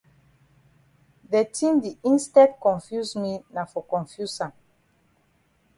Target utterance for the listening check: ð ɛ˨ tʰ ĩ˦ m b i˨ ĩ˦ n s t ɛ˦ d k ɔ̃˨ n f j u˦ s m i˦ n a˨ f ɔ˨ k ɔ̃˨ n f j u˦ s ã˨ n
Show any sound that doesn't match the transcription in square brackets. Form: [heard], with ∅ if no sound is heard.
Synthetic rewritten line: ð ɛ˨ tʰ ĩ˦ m [d] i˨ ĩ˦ n s t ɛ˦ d k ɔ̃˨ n f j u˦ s m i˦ n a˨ f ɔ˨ k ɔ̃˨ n f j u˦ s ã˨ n